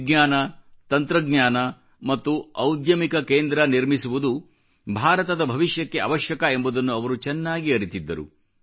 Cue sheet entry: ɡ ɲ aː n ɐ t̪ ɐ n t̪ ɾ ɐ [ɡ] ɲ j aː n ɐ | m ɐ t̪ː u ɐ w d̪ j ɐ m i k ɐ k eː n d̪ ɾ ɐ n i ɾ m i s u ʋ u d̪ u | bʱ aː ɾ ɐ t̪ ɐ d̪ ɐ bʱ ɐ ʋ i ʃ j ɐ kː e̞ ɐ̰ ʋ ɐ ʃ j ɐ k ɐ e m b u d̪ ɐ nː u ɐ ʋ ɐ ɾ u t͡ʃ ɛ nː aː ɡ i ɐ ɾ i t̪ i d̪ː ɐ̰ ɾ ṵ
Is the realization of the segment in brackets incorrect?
no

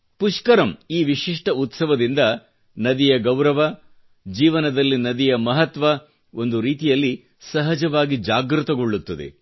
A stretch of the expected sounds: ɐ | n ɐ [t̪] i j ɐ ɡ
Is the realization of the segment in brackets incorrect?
yes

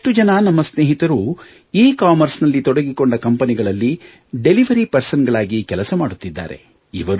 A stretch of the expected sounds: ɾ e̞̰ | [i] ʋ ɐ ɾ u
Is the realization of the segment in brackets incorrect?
no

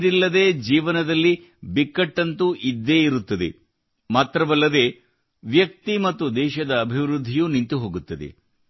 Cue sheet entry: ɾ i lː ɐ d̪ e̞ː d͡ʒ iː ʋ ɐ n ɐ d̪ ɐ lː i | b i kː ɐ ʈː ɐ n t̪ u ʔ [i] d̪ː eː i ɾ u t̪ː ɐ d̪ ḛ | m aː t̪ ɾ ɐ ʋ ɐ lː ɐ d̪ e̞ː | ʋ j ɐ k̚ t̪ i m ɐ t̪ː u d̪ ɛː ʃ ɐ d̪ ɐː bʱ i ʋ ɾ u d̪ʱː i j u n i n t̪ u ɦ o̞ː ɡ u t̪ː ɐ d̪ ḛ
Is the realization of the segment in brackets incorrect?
no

